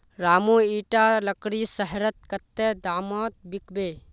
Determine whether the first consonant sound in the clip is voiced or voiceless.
voiced